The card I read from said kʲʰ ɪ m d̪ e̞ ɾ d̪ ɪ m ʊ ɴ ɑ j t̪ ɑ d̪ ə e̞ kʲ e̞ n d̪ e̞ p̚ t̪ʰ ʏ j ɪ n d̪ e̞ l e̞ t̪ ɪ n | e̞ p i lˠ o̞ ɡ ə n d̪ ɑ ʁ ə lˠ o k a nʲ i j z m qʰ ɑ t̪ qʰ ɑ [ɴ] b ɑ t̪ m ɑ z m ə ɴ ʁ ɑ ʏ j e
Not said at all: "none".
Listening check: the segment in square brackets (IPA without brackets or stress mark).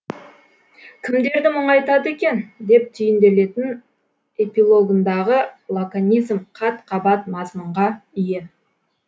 none